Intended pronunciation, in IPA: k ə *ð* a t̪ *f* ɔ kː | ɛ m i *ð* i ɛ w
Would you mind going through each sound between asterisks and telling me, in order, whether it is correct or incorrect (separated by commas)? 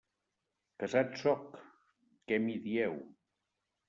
incorrect, incorrect, correct